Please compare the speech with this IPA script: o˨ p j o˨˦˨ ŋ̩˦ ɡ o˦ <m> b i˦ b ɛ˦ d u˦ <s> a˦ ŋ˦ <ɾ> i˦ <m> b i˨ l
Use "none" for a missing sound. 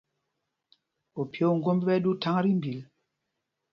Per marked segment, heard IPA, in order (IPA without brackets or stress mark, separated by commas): m, t, ɾ, m